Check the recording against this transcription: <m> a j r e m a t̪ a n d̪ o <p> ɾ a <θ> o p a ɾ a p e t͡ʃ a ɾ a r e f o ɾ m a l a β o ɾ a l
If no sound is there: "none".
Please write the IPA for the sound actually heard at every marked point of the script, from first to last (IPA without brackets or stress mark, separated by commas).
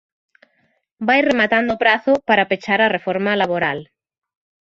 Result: b, p, θ